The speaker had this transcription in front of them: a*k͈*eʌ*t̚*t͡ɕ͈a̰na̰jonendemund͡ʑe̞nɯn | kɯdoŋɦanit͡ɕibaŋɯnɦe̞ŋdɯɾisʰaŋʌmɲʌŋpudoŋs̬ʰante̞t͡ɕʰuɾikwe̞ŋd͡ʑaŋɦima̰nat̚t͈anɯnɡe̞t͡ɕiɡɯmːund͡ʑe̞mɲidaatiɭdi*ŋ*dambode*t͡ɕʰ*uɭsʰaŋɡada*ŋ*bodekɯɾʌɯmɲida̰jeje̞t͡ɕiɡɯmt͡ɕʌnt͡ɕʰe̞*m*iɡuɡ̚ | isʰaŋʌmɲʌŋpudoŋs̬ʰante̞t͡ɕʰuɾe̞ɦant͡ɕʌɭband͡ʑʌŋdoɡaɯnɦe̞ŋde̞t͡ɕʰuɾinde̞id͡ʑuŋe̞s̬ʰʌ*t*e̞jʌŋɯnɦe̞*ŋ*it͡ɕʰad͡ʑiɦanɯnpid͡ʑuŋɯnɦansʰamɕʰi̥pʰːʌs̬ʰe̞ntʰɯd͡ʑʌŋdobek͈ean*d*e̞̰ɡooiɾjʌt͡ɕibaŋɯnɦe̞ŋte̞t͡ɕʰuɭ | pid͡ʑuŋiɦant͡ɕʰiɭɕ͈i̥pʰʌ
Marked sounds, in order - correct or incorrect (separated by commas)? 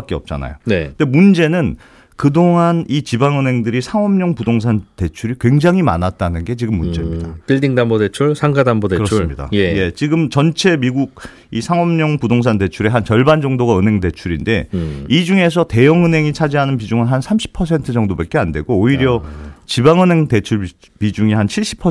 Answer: correct, incorrect, correct, correct, incorrect, correct, correct, correct, correct